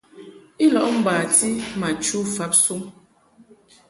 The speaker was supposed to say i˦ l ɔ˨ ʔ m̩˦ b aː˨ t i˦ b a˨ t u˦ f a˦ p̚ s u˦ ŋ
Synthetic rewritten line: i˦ l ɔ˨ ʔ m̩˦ b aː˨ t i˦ m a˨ t͡ʃ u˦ f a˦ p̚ s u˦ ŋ